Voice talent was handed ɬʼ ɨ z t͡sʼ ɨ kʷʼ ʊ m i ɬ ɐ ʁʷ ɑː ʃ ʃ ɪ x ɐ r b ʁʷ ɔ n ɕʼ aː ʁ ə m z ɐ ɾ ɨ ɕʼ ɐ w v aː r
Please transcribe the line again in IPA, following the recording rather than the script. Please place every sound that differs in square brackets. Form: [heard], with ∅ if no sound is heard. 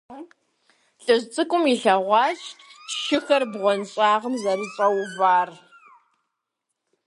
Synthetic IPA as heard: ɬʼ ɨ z t͡sʼ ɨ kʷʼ ʊ m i ɬ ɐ ʁʷ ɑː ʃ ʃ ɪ x ɐ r b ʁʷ ɔ n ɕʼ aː ʁ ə m z ɐ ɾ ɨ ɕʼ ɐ w v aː r